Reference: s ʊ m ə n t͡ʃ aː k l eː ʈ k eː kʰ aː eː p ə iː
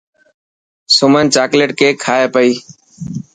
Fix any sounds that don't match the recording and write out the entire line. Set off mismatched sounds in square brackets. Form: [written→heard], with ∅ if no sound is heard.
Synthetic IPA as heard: s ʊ m ə n t͡ʃ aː k l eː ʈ k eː kʰ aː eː p ə iː